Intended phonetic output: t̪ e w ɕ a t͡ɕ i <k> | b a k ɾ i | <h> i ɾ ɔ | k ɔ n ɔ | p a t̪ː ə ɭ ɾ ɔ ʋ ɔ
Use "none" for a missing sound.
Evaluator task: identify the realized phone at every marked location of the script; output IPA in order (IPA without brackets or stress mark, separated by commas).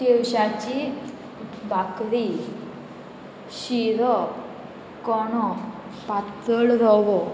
none, ɕ